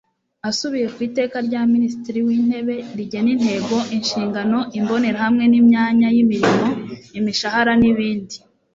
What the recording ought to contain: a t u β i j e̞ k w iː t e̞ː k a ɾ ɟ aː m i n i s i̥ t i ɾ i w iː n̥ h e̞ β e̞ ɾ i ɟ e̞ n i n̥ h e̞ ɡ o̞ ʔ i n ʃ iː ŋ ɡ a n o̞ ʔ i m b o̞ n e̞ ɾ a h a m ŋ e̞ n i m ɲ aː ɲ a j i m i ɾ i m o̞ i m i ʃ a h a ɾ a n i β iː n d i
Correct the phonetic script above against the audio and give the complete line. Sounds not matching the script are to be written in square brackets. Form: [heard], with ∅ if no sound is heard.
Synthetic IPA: a [s] u β i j e̞ k w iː t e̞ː k a ɾ ɟ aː m i n i s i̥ t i ɾ i w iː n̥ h e̞ β e̞ ɾ i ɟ e̞ n i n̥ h e̞ ɡ o̞ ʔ i n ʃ iː ŋ ɡ a n o̞ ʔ i m b o̞ n e̞ ɾ a h a m ŋ e̞ n i m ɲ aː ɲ a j i m i ɾ i m o̞ i m i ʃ a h a ɾ a n i β iː n d i